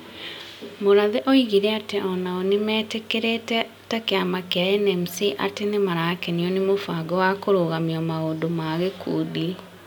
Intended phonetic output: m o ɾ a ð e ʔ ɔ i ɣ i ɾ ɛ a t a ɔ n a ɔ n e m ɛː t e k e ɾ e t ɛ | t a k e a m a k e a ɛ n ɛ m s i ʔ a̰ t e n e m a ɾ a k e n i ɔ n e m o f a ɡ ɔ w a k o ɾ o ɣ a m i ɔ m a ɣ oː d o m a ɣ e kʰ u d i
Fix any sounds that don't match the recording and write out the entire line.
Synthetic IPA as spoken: m o ɾ a ð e ʔ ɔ i ɣ i ɾ ɛ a t e ɔ n a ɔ n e m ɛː t e k e ɾ e t ɛ | t a k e a m a k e a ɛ n ɛ m s i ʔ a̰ t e n e m a ɾ a k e n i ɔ n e m o f a ɡ ɔ w a k o ɾ o ɣ a m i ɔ m a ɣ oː d o m a ɣ e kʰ u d i